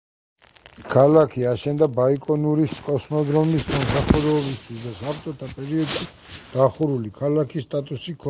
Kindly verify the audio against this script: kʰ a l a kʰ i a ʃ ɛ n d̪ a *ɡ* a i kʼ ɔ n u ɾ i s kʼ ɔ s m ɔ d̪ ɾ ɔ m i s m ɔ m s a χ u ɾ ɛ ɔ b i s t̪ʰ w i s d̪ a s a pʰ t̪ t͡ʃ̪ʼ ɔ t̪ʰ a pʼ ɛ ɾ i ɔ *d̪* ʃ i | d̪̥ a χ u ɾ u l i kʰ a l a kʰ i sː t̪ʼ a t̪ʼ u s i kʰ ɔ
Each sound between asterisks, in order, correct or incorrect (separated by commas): incorrect, correct